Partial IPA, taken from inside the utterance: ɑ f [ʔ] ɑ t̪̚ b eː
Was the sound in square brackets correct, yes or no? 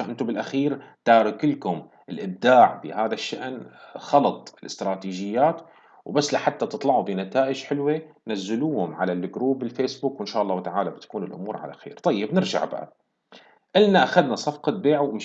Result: no